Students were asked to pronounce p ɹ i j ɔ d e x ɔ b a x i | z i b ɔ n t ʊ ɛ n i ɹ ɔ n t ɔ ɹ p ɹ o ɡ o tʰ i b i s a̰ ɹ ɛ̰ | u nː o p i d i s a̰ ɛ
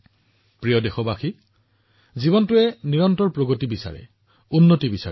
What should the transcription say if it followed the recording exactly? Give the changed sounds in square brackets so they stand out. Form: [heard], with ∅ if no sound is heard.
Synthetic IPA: p ɹ i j ɔ d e x ɔ b a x i | z i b ɔ n t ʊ ɛ n i ɹ ɔ n t ɔ ɹ p ɹ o ɡ o [t] i b i s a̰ ɹ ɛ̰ | u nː o [t] i [b] i s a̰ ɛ